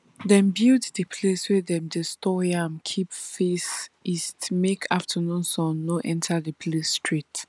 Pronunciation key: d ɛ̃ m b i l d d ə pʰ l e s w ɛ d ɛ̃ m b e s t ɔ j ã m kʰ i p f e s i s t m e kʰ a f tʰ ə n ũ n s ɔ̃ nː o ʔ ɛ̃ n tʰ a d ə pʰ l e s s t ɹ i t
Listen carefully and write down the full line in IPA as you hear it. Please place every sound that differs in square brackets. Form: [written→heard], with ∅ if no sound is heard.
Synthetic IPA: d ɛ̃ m b i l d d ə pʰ l e s w ɛ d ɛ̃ m [b→d] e s t ɔ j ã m kʰ i p f e s i s t m e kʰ a f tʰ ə n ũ n s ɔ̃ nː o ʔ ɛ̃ n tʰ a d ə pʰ l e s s t ɹ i t